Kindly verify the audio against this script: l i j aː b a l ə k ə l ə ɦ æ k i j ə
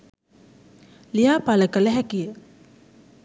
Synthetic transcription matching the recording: l i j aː p a l ə k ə l ə ɦ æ k i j ə

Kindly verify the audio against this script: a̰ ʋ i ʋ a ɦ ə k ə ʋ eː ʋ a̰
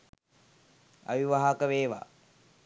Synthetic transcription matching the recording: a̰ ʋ i ʋ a ɦ a k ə ʋ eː ʋ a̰

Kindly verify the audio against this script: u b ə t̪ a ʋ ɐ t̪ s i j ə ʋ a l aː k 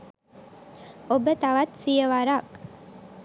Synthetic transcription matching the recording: o b ə t̪ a ʋ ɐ t̪ s i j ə ʋ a ɾ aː k

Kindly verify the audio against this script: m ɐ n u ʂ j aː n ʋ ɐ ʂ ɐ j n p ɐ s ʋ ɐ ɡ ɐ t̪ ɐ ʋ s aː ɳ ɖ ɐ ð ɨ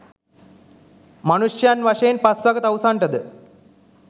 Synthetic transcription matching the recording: m ɐ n u ʂ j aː n ʋ ɐ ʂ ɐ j n p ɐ s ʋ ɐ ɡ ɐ t̪ ɐ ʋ s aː ɳ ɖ ɐ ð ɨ

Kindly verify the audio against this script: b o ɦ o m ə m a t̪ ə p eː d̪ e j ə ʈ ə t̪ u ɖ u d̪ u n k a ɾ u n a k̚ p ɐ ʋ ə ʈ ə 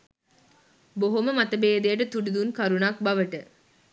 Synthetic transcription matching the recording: b o ɦ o m ə m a t̪ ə b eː d̪ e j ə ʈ ə t̪ u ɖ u d̪ u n k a ɾ u n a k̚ b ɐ ʋ ə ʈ ə

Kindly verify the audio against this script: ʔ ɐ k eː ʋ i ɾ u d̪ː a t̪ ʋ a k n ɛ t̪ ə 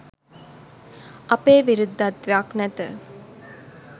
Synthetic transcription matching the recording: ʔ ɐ p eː ʋ i ɾ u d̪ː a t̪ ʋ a k n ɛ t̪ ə

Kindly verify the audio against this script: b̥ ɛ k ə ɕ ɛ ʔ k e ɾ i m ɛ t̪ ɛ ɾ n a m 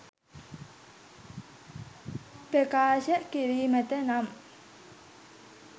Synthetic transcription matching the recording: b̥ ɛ k a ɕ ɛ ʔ k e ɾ i m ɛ t̪ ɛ n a m

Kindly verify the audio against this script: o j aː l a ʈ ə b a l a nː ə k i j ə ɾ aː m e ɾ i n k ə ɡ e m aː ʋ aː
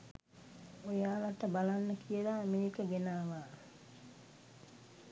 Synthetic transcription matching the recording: o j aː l a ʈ ə b a l a nː ə k i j ə l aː m e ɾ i k ə ɡ e n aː ʋ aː

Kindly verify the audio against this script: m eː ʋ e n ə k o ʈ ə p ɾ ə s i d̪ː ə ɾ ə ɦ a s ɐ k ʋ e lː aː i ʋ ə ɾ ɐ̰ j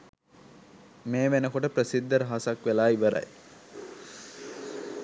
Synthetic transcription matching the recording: m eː ʋ e n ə k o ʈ ə p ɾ ə s i d̪ː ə ɾ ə ɦ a s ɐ k ʋ e l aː i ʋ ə ɾ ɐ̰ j

